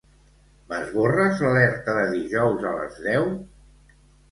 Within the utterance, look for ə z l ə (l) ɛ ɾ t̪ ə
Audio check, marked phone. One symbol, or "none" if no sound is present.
l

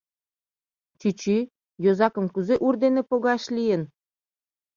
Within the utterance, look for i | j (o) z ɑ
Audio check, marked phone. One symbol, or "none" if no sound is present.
o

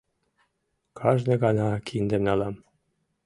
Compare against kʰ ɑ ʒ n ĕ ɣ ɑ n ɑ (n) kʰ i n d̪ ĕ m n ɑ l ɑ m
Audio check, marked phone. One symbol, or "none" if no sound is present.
none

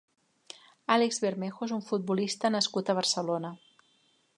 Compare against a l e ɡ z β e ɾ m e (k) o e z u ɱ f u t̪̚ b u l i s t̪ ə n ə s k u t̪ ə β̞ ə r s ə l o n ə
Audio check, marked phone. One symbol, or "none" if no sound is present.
x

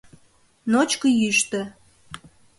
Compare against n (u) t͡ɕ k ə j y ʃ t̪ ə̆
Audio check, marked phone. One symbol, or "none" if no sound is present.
o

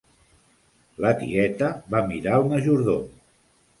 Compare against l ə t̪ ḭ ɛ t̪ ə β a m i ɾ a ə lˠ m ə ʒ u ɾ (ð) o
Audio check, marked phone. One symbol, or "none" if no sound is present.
ð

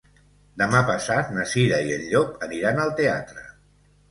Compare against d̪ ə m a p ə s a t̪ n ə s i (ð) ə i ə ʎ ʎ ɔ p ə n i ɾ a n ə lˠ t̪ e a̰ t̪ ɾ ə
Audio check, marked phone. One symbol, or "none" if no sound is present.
ð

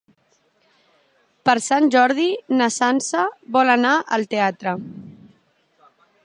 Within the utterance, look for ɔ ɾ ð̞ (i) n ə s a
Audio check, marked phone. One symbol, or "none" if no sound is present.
i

